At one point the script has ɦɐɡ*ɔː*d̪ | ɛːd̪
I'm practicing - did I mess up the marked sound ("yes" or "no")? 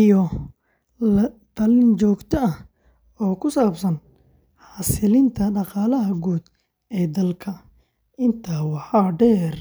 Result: yes